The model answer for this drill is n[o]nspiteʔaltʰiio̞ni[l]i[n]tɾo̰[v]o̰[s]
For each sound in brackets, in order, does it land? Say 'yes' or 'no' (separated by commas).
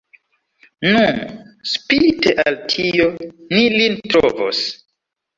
no, yes, yes, yes, yes